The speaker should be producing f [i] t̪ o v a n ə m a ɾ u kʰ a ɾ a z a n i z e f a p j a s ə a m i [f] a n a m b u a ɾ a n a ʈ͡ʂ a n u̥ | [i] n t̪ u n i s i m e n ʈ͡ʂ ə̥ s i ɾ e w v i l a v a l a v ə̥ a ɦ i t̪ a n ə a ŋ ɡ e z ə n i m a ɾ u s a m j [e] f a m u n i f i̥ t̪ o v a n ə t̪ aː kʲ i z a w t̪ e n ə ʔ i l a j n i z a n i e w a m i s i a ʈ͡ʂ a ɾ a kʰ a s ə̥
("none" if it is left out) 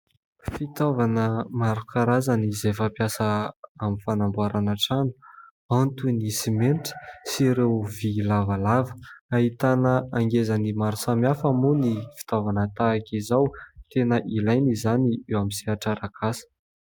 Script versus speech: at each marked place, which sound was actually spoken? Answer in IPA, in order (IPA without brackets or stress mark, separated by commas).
i, f, a, a